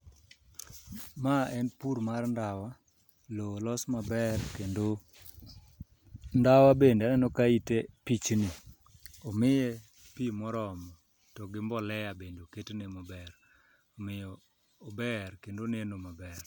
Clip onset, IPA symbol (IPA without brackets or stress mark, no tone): m